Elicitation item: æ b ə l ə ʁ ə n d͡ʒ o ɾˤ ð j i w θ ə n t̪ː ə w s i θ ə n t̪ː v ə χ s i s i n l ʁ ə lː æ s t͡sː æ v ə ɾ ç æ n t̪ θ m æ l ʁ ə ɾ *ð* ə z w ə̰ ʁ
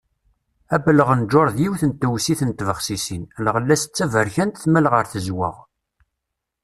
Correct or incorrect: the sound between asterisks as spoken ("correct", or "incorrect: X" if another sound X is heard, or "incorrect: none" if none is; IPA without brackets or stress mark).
incorrect: θ